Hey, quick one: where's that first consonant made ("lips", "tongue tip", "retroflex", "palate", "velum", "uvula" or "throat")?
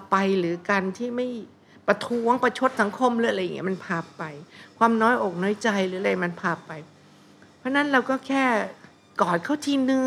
lips